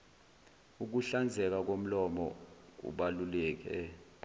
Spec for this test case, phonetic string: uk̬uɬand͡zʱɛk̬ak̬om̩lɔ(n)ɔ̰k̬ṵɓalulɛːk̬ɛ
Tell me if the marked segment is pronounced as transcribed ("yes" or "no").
no